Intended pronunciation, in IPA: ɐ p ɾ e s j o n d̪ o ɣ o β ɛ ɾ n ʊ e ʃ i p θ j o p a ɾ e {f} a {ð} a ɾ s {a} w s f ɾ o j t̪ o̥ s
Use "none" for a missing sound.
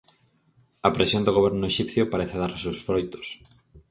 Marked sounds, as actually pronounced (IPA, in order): θ, ð, e

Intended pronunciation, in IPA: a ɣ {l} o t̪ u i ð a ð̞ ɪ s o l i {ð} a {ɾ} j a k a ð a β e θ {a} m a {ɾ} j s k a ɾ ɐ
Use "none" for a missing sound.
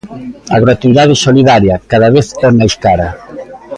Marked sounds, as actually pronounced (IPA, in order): ɾ, ð, ɾ, ɛ, none

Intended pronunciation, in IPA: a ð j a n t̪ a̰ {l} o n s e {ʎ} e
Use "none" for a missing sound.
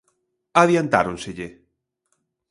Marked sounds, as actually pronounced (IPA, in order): ɾ, ʎ

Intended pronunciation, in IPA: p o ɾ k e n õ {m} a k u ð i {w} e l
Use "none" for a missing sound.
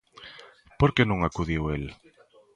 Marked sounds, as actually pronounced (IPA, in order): ŋ, w

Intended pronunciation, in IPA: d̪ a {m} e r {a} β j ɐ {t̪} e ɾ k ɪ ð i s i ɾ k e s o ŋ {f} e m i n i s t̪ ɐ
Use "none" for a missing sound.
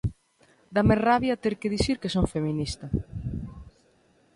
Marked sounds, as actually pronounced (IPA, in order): m, a, t̪, f

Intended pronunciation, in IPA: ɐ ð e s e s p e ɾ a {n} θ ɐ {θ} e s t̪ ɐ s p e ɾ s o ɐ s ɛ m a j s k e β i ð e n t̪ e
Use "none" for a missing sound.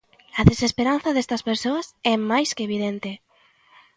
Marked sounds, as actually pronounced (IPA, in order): n, ð

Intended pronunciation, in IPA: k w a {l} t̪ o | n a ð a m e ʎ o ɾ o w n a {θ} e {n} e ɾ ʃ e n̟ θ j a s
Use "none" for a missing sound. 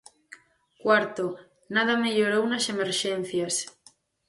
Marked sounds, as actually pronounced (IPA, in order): ɾ, s, m

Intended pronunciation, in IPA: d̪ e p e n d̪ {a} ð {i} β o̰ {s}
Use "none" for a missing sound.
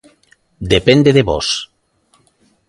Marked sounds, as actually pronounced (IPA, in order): e, e, s

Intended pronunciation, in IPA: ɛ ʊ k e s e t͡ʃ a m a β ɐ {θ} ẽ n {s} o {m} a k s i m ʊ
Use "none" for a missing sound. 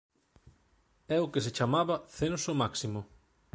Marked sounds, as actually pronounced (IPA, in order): θ, s, m

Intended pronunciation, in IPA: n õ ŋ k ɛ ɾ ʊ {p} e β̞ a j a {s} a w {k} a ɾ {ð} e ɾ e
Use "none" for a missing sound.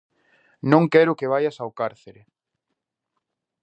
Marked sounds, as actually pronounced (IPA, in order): k, s, k, θ

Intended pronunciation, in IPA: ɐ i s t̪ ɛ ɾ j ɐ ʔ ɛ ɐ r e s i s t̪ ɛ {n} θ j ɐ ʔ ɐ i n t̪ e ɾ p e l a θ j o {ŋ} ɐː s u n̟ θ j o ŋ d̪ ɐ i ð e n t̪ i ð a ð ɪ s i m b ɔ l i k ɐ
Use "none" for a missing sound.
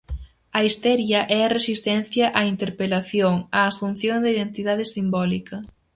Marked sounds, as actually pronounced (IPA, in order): n, ŋ

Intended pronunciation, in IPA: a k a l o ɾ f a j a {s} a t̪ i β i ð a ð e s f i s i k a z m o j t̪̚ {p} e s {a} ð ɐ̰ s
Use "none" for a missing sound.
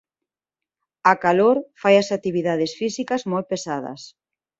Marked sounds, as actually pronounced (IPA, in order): s, p, a

